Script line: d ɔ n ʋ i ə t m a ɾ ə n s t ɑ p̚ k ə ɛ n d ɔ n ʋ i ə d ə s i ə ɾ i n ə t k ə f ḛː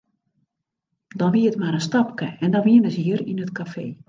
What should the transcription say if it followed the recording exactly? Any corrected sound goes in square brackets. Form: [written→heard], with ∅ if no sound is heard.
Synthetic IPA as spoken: d ɔ n ʋ i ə t m a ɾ ə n s t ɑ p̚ k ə ɛ n d ɔ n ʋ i ə [d→n] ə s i ə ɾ i n ə t k [ə→a] f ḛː